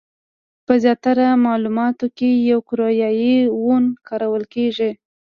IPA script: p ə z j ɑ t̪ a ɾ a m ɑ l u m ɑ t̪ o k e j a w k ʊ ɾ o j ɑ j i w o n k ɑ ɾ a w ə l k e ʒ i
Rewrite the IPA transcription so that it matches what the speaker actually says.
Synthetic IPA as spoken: p ə z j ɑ t̪ a ɾ a m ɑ l u m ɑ t̪ o k e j a w k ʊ ɾ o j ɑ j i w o n k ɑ ɾ a w ə l k e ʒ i